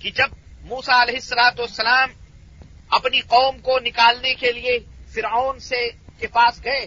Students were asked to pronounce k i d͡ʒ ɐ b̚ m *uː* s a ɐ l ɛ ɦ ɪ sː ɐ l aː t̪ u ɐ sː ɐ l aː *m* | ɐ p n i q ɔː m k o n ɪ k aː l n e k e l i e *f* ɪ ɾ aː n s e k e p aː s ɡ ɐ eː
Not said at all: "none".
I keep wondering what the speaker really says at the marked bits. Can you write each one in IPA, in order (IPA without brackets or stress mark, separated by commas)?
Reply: uː, m, f